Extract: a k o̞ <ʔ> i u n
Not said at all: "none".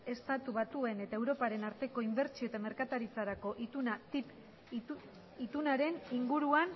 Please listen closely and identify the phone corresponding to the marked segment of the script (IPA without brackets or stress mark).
ʔ